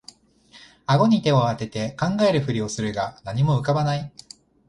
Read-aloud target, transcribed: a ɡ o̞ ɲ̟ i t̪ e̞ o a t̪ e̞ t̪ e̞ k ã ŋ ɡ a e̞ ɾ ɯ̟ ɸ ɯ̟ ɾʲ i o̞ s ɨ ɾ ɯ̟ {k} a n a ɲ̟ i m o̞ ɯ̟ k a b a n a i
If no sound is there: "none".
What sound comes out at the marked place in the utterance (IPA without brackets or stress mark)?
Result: ɡ